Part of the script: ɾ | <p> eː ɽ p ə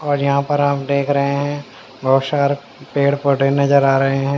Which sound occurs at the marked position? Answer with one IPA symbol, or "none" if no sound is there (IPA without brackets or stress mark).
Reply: p